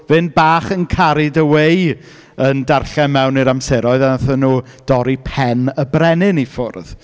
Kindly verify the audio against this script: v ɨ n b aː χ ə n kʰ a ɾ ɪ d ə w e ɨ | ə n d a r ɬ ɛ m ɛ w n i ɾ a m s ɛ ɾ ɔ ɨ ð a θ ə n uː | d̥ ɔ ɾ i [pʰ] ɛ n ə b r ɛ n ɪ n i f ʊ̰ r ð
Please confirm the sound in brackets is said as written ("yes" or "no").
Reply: yes